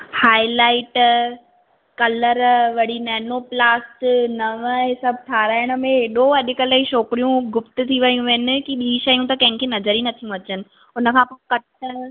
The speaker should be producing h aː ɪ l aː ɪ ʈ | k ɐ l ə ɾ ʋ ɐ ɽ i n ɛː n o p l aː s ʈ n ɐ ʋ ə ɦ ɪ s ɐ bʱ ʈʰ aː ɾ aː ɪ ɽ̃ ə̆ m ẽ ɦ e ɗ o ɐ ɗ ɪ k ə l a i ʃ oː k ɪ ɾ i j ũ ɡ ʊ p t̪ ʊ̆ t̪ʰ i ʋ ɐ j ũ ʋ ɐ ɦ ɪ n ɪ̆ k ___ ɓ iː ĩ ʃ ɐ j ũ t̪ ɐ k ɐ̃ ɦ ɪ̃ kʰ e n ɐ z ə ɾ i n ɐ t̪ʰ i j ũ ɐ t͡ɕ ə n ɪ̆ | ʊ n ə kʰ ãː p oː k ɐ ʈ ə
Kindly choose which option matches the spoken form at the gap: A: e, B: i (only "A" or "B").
B